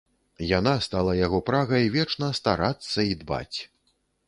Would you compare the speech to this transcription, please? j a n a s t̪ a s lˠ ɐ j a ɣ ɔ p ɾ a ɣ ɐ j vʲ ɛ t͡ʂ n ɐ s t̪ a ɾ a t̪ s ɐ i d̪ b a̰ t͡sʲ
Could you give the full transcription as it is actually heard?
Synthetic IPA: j a n a s t̪ a lˠ ɐ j a ɣ ɔ p ɾ a ɣ ɐ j vʲ ɛ t͡ʂ n ɐ s t̪ a ɾ a t̪ sː ɐ i d̪ b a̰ t͡sʲ